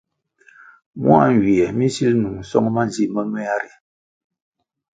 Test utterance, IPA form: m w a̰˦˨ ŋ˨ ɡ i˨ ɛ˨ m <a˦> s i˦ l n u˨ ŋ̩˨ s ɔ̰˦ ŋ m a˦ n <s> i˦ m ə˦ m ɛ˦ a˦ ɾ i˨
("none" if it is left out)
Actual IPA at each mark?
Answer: i˦, z

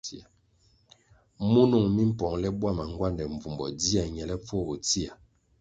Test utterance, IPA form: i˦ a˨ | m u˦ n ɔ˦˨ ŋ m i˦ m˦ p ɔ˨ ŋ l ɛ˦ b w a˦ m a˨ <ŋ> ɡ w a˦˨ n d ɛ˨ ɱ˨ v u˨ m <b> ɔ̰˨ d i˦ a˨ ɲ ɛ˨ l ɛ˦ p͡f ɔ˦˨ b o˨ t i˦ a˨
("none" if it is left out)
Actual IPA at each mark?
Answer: ŋ, b

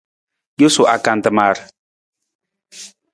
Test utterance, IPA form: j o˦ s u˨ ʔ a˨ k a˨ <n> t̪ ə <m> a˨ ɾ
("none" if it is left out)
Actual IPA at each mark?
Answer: n, m

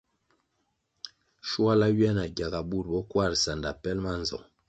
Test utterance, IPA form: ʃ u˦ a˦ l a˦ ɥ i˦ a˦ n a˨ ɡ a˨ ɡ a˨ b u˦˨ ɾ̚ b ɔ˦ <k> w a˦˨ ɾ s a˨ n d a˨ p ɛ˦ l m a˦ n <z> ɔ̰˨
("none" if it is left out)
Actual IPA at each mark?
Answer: k, z

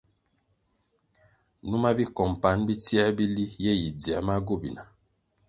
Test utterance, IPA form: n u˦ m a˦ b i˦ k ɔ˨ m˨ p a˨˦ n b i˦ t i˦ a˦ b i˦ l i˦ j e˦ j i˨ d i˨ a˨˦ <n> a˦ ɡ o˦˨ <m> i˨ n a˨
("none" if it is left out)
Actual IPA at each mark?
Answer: m, b

